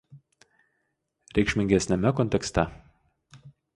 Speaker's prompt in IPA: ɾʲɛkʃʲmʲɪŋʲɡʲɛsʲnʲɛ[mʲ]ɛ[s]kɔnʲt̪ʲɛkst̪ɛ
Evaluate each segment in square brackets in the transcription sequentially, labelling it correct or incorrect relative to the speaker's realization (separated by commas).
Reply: correct, incorrect